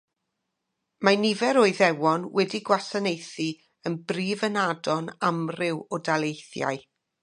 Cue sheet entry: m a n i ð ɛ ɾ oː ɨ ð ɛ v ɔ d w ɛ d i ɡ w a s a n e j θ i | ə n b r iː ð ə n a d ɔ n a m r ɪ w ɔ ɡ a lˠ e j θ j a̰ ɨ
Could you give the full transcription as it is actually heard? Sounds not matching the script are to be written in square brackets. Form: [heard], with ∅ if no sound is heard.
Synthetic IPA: m a n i [v] ɛ ɾ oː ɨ ð ɛ [w] ɔ [n] w ɛ d i ɡ w a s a n e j θ i | ə n b r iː [v] ə n a d ɔ n a m r ɪ w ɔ [d] a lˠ e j θ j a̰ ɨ